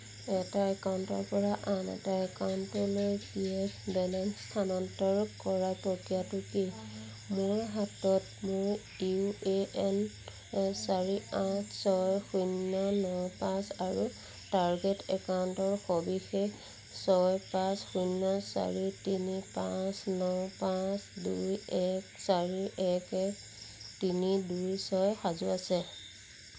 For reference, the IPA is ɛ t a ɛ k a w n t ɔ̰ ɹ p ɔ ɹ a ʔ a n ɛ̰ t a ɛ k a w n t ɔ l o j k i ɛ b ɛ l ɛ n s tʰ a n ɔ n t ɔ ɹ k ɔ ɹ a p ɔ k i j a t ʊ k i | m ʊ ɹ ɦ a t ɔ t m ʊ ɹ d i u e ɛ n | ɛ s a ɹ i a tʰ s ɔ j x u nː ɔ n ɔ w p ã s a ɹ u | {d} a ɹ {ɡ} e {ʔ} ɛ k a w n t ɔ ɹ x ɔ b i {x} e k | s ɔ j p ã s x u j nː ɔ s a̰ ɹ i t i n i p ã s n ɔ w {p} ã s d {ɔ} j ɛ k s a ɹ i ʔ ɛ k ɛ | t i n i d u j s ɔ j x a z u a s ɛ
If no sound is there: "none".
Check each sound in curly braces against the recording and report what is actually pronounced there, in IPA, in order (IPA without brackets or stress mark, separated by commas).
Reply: t, ɡ, t, x, p, u